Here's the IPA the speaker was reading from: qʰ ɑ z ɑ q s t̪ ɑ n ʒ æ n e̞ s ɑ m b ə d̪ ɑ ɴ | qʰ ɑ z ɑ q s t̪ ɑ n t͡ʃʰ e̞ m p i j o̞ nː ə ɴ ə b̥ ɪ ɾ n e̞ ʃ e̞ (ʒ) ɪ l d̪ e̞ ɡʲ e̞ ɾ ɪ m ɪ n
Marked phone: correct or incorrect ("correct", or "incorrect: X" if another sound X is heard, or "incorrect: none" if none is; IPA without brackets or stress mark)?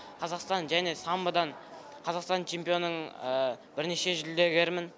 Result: correct